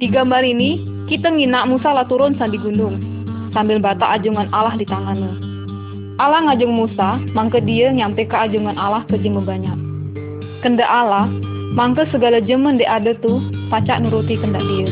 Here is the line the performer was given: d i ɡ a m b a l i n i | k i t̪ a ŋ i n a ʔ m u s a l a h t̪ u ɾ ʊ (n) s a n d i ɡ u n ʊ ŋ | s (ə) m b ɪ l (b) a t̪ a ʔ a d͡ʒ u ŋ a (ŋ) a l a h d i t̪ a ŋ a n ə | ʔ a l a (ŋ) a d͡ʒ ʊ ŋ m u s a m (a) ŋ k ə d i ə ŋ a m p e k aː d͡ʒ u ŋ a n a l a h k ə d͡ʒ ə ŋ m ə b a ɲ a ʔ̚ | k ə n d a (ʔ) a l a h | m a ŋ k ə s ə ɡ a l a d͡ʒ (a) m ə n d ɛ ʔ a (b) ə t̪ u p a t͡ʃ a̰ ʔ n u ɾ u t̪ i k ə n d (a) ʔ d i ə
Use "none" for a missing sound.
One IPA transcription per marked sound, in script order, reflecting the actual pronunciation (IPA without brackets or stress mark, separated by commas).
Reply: n, a, b, n, ŋ, a, ʔ, ə, d, a